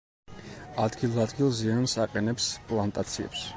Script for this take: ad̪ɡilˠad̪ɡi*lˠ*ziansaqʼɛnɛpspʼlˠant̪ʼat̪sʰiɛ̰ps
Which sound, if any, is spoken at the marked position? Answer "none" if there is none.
lˠ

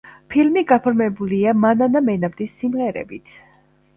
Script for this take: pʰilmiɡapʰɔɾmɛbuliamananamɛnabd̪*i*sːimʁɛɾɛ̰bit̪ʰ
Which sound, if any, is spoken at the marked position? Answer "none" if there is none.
i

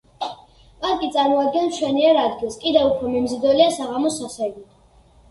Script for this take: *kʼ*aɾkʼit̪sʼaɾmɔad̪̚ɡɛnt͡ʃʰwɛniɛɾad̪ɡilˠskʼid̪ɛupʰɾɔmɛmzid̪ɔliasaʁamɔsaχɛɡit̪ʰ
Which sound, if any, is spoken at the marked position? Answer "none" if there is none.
pʼ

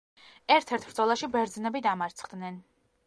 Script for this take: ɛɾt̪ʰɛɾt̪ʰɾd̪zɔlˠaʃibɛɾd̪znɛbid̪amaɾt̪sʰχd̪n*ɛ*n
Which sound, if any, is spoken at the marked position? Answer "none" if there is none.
ɛ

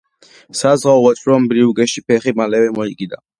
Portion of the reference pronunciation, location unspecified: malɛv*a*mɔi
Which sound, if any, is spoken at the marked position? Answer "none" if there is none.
ɛ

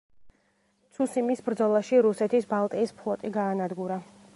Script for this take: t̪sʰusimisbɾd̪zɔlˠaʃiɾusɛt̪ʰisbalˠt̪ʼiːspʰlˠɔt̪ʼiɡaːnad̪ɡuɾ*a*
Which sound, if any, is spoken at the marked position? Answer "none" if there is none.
a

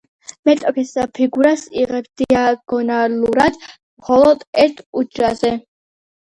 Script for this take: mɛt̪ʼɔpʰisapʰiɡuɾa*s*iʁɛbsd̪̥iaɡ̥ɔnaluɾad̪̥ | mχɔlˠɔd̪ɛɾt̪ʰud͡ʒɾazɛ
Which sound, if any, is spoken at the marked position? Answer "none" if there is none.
s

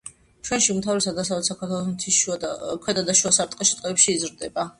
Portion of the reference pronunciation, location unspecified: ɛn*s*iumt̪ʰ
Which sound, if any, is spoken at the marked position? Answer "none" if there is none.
ʃ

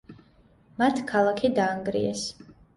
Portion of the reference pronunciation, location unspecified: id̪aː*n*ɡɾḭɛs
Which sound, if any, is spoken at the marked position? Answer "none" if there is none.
ŋ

